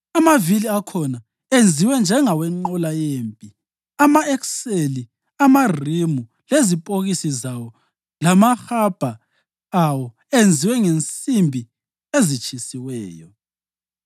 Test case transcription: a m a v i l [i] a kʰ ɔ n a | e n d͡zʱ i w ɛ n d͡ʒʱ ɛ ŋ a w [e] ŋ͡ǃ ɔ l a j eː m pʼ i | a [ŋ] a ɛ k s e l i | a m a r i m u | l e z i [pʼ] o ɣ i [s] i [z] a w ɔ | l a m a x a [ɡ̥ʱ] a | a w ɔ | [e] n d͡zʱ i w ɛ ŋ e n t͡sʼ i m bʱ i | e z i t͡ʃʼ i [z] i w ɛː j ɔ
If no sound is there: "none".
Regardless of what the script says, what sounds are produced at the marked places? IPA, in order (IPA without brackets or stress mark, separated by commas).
i, ɛ, m, pʼ, s, z, b̥ʱ, e, s